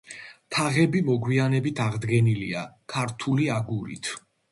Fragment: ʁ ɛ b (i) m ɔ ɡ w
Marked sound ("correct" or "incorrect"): correct